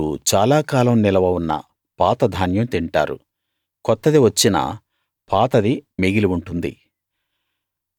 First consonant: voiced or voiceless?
voiceless